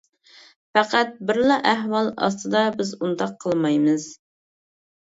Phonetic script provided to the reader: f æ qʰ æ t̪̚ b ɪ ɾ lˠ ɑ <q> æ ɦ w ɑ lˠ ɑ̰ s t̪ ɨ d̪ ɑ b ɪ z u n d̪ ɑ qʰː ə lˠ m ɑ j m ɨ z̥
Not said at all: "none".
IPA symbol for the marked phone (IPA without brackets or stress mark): ʔ